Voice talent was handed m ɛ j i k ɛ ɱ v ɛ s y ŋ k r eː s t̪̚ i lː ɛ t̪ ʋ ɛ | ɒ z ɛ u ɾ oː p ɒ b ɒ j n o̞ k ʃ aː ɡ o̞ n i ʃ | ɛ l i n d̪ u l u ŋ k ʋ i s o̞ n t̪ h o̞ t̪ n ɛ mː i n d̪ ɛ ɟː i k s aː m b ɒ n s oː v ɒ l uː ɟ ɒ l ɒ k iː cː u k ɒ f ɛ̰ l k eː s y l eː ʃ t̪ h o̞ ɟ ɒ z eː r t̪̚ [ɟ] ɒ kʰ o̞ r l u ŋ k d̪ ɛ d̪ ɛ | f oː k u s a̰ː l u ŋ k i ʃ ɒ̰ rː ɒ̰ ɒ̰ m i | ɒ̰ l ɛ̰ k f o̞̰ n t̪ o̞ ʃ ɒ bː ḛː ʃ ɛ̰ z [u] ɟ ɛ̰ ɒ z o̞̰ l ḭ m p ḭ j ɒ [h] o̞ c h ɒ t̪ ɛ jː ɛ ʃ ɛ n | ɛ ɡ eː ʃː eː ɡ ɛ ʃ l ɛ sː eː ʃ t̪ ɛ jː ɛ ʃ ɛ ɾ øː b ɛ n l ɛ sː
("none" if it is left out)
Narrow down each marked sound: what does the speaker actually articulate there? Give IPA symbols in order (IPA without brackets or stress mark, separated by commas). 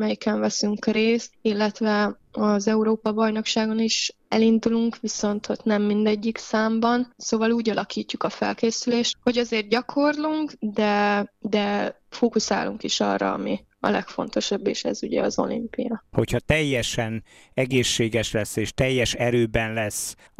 ɟ, u, h